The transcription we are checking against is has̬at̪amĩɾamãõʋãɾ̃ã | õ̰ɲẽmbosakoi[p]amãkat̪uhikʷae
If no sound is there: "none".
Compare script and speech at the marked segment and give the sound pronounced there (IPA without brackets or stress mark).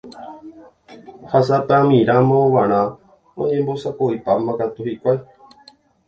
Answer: p